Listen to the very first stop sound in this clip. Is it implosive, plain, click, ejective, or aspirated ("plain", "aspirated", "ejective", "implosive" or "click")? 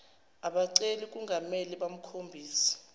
implosive